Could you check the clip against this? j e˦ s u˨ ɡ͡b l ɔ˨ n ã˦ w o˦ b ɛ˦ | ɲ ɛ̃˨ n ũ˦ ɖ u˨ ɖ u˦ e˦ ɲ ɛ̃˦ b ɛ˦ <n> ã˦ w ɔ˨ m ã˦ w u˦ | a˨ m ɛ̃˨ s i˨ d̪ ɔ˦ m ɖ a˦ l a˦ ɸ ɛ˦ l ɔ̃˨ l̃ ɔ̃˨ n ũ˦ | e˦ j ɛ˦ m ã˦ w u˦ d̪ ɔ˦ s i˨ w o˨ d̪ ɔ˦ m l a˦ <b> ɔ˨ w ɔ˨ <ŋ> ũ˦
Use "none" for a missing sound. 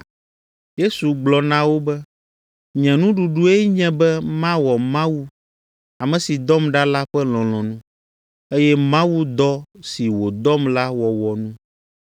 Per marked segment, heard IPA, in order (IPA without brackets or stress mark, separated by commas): m, w, n